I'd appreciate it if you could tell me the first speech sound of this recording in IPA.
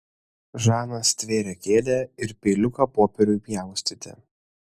ʒ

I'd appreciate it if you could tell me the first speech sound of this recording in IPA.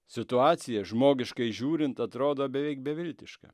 sʲ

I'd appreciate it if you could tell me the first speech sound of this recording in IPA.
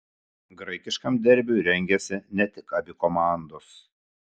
ɡ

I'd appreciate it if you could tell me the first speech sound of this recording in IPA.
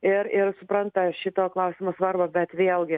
ɪ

